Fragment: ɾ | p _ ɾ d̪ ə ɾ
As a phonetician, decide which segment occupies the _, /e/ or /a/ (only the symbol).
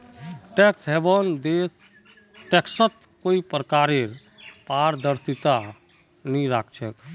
a